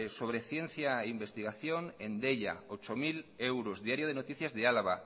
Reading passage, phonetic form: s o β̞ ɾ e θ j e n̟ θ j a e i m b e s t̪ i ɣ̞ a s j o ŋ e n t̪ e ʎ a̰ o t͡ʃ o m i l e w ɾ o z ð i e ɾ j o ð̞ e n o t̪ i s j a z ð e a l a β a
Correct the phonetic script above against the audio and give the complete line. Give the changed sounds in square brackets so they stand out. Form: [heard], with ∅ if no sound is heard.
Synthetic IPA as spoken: s o β̞ ɾ e θ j e n̟ θ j a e i m b e s t̪ i ɣ̞ a [θ] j o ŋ e n [d̪] e ʎ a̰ o t͡ʃ o m i l e w ɾ o z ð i [a] ɾ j o ð̞ e n o t̪ i [θ] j a z ð e a l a β a